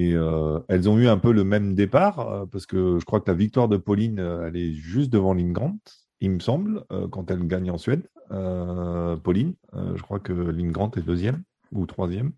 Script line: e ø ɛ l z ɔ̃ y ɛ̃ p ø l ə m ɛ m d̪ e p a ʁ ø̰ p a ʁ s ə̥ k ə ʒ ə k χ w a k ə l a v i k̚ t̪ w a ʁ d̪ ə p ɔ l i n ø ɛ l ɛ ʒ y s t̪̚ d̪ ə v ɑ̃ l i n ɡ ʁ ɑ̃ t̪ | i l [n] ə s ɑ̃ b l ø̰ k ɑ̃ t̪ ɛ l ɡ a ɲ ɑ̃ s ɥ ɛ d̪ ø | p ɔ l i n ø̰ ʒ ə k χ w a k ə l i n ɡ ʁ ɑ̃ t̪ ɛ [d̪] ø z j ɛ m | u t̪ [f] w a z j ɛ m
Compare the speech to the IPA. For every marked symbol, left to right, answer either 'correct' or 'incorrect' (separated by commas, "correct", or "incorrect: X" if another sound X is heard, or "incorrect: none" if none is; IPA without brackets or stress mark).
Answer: incorrect: m, correct, incorrect: χ